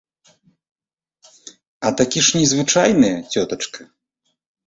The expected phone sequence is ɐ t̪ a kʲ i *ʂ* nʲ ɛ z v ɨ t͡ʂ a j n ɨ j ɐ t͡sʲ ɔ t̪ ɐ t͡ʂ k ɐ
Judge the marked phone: correct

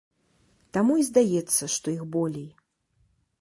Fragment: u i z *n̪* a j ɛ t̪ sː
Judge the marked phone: incorrect: d̪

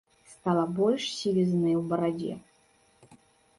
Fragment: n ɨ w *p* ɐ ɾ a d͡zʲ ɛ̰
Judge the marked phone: incorrect: b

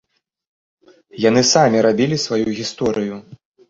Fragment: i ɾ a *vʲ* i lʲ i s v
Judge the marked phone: incorrect: bʲ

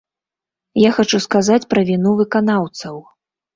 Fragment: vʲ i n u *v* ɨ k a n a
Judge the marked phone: correct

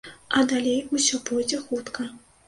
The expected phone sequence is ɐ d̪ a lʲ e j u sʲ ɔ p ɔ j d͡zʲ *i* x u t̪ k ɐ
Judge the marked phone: incorrect: ɛ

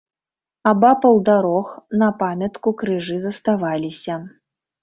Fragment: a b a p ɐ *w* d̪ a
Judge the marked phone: correct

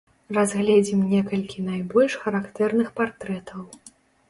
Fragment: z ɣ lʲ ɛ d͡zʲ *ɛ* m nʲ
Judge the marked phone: incorrect: i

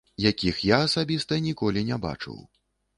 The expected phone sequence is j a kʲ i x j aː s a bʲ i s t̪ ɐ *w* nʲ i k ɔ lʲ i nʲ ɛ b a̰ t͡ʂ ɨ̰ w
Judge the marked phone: incorrect: none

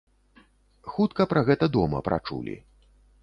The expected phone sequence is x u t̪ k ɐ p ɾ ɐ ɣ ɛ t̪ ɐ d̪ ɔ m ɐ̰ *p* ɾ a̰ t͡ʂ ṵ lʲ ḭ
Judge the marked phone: correct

